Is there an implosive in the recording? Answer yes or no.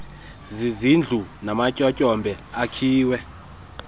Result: no